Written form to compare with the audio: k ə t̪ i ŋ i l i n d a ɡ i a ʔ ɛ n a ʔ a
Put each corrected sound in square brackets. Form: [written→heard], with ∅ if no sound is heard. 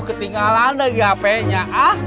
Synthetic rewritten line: k ə t̪ i ŋ [i→a] l [i→a] n d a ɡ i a [ʔ→p] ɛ [n→ɲ] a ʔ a